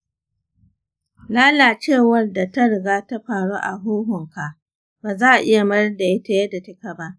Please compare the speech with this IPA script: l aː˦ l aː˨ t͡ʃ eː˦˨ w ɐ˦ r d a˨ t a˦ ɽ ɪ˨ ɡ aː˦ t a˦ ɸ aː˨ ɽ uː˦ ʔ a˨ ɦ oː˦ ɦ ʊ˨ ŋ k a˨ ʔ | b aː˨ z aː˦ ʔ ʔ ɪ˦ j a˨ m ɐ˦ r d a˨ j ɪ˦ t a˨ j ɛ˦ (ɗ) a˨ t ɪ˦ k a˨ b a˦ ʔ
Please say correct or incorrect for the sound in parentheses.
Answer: incorrect: d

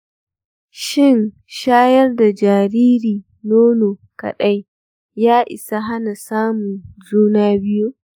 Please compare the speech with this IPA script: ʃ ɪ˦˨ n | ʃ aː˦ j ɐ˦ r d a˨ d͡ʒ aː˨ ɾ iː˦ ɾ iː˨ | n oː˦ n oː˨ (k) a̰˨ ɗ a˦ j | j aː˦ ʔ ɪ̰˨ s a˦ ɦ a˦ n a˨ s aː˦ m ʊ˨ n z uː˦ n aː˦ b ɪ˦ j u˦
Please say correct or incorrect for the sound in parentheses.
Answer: correct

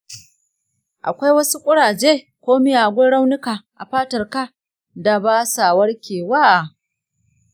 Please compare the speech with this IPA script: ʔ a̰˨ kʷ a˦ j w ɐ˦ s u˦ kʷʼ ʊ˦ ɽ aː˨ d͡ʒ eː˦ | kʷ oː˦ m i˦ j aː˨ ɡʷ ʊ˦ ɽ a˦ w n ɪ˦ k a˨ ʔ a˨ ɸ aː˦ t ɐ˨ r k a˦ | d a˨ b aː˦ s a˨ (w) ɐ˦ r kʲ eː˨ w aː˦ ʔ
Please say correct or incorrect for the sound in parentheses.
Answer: correct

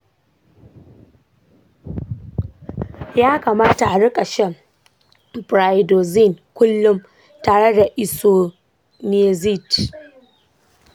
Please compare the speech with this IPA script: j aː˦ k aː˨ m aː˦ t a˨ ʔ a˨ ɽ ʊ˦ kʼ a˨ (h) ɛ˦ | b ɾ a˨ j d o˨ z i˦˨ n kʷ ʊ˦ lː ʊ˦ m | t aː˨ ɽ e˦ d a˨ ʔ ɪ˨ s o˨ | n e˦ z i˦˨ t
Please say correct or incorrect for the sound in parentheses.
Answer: incorrect: ʃ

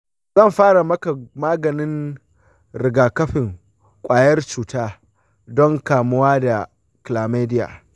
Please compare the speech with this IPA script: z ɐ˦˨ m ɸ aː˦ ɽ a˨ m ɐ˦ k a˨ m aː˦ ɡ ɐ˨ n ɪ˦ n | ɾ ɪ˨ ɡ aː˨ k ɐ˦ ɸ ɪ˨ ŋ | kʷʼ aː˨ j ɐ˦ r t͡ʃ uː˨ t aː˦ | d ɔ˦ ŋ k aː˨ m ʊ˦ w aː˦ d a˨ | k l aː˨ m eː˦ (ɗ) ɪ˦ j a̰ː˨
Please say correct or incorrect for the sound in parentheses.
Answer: incorrect: d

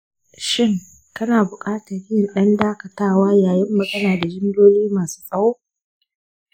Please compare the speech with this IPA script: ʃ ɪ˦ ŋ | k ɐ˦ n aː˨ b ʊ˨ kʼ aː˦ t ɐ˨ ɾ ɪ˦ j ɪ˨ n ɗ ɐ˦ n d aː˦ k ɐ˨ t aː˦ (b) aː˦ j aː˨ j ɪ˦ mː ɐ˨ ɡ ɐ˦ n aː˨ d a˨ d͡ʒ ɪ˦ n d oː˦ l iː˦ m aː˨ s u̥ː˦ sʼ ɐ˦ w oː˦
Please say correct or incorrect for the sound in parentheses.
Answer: incorrect: w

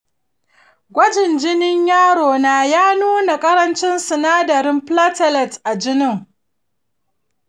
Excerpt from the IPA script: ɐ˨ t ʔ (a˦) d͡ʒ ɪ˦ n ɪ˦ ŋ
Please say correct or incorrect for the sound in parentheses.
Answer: incorrect: a˨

